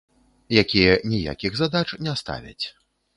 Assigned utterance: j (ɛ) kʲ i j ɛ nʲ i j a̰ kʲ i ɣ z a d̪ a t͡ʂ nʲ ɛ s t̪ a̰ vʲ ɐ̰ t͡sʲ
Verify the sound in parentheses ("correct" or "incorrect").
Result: incorrect